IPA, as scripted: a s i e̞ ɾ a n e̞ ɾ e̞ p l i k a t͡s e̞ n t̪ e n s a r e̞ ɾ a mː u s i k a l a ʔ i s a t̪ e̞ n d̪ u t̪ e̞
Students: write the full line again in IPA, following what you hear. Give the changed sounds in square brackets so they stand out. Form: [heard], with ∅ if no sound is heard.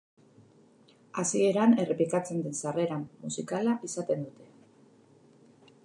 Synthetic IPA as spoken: a s i e̞ ɾ a n e̞ [r] e̞ p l i k a t͡s e̞ n [d̪] e n s a r e̞ ɾ a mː u s i k a l a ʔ i s a t̪ e̞ n d̪ u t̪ e̞

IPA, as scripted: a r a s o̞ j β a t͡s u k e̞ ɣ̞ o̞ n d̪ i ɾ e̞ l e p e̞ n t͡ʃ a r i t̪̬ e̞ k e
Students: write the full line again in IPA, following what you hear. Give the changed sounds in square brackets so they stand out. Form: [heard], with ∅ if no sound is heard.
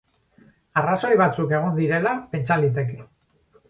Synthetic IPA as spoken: a r a s o̞ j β a t͡s u k e̞ ɣ̞ o̞ n d̪ i ɾ e̞ l [a] p e̞ n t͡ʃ a [l] i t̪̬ e̞ k e

